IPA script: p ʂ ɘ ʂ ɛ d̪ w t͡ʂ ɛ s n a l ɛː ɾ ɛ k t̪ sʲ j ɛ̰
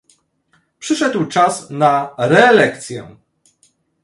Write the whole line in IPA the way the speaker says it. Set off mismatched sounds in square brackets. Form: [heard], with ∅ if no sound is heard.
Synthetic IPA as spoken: p ʂ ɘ ʂ ɛ d̪ w t͡ʂ [a] s n a [ɾ] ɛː [l] ɛ k t̪ sʲ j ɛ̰